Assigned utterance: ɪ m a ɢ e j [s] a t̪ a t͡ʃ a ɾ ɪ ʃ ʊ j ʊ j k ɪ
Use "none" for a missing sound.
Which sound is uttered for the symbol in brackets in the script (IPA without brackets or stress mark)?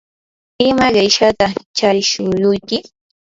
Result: ʃ